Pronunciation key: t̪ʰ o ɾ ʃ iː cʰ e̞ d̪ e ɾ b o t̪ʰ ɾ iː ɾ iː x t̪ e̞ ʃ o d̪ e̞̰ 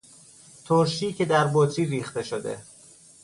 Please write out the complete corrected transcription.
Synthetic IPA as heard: t̪ʰ o ɾ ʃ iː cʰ e̞ d̪ æ ɾ b o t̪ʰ ɾ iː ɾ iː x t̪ e̞ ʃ o d̪ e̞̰